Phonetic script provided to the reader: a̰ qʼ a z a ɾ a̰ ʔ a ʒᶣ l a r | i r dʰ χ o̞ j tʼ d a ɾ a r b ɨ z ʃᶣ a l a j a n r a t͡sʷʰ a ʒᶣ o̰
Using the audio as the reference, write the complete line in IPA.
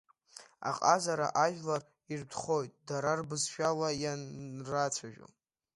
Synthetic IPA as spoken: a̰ qʼ a z a ɾ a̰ ʔ a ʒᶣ l a r | i r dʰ χ o̞ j tʼ d a ɾ a r b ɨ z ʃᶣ a l a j a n r a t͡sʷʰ a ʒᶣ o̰